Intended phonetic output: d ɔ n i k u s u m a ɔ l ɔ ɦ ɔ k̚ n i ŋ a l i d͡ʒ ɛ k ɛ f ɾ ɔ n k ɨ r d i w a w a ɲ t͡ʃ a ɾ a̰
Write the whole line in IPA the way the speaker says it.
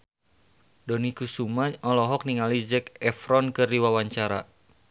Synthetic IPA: d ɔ n i k u s u m a ɔ l ɔ ɦ ɔ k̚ n i ŋ a l i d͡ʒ ɛ k ɛ f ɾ ɔ n k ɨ r d i w a w a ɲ t͡ʃ a ɾ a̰